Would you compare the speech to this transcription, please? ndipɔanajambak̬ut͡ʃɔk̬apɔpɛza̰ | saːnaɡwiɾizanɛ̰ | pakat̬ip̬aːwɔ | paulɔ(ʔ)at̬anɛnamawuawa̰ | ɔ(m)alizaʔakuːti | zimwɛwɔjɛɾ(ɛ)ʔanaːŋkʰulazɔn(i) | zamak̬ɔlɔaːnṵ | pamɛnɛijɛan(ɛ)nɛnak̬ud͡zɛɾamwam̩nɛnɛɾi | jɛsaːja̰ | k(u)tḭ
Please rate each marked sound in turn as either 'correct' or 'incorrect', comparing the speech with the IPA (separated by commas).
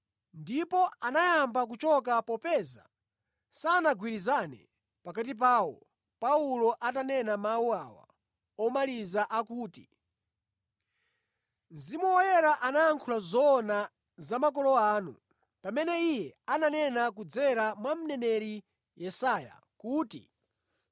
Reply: correct, correct, incorrect, incorrect, incorrect, incorrect